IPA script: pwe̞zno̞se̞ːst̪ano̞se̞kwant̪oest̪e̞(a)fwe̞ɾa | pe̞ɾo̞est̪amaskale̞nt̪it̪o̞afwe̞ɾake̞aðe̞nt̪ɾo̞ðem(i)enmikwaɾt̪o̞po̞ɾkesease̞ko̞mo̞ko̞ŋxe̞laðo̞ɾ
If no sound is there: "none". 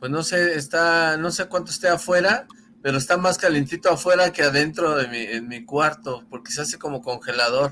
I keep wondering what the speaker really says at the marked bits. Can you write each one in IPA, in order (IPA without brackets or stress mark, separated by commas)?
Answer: a, i